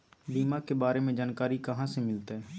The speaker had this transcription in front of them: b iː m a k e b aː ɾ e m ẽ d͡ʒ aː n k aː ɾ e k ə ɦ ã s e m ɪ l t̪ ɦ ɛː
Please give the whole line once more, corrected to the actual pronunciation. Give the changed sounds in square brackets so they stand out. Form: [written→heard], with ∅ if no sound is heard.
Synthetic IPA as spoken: b iː m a k e b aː ɾ e m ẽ d͡ʒ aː n k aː ɾ [e→i] k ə ɦ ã s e m ɪ l t̪ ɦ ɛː